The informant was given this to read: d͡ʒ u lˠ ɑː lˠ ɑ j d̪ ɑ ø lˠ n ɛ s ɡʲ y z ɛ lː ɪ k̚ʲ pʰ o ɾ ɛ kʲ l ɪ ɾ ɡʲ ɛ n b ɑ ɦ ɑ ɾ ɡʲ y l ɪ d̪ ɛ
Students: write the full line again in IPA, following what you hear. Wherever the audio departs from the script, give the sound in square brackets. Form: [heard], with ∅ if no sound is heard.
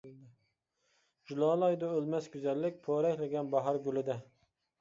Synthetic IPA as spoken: d͡ʒ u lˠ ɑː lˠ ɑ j d̪ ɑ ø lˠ [m] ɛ s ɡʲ y z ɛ lː ɪ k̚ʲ pʰ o ɾ ɛ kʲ l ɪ [∅] ɡʲ ɛ n b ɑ ɦ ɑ ɾ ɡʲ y l ɪ d̪ ɛ